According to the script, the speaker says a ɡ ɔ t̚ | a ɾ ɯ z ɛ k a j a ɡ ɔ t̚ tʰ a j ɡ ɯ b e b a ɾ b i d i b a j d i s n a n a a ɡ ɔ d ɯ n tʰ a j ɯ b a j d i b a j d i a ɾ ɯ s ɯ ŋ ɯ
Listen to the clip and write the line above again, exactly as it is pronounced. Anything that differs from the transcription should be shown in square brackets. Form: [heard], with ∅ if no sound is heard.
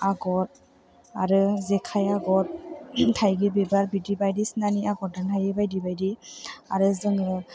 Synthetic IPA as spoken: a ɡ ɔ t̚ | a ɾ ɯ z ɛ [kʰ] a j a ɡ ɔ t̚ tʰ a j ɡ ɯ b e b a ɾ b i d i b a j d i s n a n [i] a ɡ ɔ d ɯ n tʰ a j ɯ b a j d i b a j d i a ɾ ɯ [z] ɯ ŋ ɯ